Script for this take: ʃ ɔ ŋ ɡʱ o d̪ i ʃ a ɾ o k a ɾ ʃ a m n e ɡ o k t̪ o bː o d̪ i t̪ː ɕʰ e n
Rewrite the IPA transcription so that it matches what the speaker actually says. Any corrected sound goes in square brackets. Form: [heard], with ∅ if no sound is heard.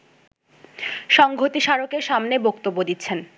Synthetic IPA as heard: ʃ ɔ ŋ ɡʱ o [t̪] i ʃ a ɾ o k [e] ɾ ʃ a m n e [b] o k t̪ o bː o d̪ i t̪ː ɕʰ e n